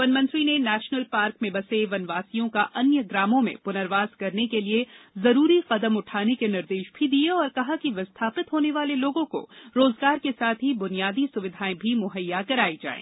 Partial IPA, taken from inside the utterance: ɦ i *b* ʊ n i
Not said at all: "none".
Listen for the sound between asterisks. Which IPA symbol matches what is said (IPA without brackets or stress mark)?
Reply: b